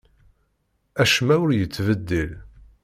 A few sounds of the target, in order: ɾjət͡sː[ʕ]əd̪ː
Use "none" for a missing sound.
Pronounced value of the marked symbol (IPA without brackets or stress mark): v